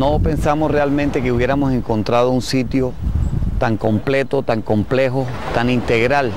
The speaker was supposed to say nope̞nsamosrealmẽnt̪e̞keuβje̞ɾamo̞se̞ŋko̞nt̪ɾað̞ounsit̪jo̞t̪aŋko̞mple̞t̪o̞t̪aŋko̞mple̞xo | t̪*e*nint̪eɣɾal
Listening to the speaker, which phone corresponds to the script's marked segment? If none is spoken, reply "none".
a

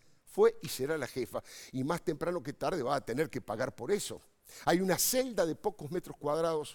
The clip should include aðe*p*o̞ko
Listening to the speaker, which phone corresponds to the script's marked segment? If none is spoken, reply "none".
p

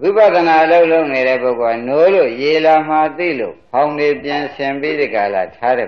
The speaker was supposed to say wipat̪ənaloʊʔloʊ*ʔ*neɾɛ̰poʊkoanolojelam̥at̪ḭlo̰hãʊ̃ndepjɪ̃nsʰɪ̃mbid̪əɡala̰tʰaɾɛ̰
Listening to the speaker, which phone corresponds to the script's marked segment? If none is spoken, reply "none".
ʔ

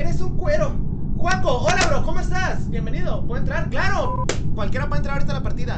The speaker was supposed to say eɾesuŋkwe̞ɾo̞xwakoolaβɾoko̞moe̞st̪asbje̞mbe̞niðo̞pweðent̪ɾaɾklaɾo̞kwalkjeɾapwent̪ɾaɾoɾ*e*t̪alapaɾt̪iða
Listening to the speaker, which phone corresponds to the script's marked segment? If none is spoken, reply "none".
i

